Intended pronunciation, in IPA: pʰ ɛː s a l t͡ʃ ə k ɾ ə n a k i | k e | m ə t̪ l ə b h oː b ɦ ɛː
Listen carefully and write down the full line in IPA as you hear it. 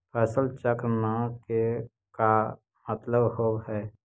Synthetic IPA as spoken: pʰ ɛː s ə l t͡ʃ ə k ɾ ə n a k e | k a | m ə t̪ l ə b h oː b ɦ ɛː